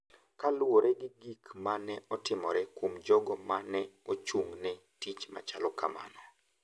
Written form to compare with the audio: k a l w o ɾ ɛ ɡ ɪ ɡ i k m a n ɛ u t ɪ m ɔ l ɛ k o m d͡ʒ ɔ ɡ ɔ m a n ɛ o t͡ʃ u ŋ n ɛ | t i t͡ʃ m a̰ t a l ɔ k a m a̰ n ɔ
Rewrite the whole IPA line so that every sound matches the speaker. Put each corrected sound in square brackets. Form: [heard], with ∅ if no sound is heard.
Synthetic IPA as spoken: k a l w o ɾ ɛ ɡ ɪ ɡ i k m a n ɛ [ɔ] t ɪ m ɔ [ɾ] ɛ k o m d͡ʒ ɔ ɡ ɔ m a n ɛ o t͡ʃ u ŋ n ɛ | t i t͡ʃ m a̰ [t͡ʃ] a l ɔ k a m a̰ n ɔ